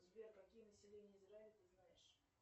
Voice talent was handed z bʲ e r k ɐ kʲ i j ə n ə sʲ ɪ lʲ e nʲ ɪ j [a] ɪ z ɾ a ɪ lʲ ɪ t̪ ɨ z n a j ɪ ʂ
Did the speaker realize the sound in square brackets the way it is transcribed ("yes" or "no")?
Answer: no